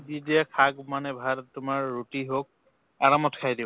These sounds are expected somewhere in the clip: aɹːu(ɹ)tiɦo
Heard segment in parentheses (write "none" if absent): none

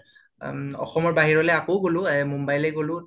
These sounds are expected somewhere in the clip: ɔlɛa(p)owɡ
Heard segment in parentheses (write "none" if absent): k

